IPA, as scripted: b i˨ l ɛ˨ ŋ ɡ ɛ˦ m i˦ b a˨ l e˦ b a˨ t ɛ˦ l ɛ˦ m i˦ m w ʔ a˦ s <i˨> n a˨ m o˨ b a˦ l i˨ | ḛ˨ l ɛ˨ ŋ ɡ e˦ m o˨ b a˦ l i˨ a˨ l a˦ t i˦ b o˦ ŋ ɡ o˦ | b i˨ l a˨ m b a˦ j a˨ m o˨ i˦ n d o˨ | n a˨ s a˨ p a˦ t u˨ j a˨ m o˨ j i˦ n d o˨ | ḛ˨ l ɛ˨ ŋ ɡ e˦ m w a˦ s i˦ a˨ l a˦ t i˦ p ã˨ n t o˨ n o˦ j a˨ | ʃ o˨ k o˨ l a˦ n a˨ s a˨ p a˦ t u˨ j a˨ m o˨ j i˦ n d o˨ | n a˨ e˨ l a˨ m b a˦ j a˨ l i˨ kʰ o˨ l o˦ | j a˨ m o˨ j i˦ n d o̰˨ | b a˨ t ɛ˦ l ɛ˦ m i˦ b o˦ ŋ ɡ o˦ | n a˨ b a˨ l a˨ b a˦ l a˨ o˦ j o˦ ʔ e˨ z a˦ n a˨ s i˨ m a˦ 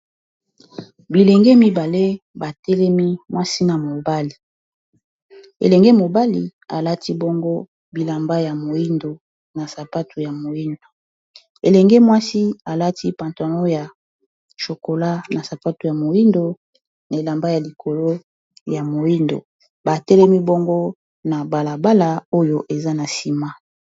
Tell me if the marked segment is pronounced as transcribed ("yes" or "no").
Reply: no